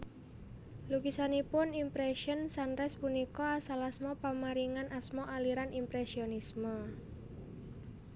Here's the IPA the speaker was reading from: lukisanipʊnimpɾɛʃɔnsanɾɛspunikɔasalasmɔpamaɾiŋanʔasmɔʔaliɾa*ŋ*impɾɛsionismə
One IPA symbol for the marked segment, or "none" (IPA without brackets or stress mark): n